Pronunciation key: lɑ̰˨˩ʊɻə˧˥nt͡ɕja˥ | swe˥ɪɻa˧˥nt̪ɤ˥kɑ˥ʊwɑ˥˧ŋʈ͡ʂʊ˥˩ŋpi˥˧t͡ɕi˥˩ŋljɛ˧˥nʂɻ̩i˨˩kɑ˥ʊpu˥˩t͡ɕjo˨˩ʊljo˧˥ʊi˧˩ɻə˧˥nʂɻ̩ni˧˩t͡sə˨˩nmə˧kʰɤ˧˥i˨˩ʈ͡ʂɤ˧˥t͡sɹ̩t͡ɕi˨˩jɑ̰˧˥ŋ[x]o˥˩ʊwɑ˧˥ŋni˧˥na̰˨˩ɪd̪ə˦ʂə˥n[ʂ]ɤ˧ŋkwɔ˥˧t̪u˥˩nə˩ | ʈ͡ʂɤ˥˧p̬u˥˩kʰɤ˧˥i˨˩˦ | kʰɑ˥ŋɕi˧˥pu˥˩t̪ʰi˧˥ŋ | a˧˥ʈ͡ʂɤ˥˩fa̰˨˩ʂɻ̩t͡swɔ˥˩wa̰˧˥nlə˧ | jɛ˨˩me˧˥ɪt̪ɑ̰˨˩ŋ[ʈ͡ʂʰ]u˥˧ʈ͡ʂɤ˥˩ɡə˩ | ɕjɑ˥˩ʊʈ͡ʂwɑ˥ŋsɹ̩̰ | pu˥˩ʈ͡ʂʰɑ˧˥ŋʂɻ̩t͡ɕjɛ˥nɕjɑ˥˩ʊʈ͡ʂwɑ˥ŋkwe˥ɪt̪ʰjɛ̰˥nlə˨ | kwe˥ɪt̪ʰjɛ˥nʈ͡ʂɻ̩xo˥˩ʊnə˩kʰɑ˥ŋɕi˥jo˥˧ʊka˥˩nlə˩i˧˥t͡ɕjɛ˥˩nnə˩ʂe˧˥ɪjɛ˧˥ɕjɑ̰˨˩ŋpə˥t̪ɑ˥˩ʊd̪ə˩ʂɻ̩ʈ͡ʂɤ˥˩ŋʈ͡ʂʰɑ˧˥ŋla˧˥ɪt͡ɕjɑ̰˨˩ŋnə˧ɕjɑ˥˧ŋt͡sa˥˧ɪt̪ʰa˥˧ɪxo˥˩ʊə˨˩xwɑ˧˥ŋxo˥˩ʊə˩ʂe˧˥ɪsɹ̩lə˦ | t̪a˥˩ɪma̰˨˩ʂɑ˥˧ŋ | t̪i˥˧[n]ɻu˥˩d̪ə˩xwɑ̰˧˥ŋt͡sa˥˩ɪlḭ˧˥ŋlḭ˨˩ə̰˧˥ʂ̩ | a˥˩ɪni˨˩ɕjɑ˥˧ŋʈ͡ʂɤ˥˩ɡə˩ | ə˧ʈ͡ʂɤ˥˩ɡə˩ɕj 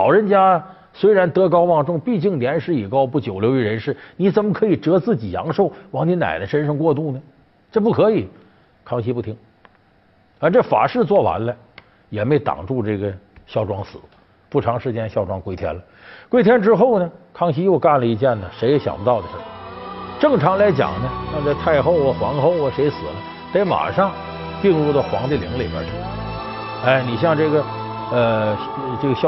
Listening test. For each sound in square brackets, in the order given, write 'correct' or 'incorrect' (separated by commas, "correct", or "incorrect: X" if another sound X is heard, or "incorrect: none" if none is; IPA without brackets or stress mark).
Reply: incorrect: ʂ, correct, incorrect: ʈ͡ʂ, incorrect: ŋ